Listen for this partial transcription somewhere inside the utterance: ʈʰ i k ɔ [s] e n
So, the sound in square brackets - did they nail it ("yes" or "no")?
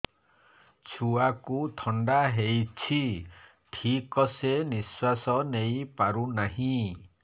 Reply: yes